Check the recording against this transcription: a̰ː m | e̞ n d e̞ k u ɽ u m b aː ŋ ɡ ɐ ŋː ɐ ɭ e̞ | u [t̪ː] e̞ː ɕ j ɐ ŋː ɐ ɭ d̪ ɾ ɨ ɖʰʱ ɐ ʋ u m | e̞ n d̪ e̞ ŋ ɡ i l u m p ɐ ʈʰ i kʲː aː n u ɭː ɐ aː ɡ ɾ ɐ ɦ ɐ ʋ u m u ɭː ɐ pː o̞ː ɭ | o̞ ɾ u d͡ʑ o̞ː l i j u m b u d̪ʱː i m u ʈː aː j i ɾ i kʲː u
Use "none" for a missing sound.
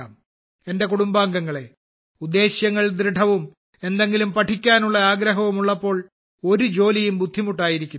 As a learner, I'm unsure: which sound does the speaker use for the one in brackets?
d̪ː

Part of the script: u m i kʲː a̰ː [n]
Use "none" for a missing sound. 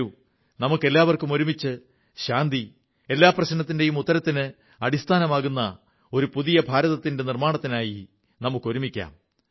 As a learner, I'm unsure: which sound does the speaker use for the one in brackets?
m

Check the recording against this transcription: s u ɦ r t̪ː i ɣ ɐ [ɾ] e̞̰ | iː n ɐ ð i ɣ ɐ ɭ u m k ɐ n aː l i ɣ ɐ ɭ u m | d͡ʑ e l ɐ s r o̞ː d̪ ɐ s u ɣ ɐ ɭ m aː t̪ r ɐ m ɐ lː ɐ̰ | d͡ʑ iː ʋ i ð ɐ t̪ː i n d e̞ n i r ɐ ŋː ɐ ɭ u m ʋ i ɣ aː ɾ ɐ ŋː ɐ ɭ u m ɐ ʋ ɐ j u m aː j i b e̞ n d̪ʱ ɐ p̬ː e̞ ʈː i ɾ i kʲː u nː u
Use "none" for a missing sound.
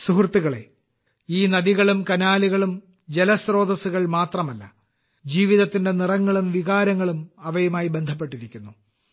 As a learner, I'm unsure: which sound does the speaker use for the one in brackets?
ɭ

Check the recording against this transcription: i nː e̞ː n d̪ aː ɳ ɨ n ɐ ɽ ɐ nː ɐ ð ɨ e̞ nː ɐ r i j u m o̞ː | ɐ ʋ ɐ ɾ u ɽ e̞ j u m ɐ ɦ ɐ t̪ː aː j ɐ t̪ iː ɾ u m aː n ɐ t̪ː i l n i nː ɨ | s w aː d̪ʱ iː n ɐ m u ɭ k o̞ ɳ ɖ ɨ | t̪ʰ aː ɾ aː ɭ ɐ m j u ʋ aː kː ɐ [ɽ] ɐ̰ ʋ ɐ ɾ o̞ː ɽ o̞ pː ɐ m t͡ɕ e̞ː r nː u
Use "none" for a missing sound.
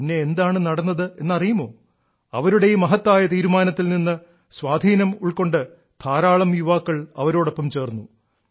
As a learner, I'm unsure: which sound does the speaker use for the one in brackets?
ɭ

